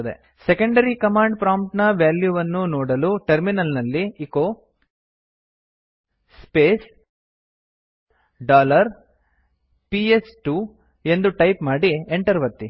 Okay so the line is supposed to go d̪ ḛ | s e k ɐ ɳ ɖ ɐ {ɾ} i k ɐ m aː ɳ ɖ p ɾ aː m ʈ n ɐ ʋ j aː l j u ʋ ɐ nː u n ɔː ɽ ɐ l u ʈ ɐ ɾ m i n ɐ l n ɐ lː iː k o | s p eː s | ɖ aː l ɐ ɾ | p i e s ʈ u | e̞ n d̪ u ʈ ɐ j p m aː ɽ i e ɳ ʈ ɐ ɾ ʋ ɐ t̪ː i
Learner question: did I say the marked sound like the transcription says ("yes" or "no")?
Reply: yes